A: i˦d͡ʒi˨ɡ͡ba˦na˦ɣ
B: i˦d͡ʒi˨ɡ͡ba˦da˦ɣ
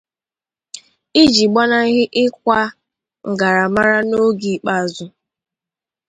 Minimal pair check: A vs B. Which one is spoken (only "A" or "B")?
A